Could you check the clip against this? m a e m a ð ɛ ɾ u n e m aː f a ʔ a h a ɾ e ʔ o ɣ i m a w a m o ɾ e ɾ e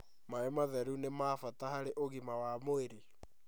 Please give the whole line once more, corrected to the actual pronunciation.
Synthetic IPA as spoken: m a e m a ð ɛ ɾ u n e m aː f a t a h a ɾ e ʔ o ɣ i m a w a m o e ɾ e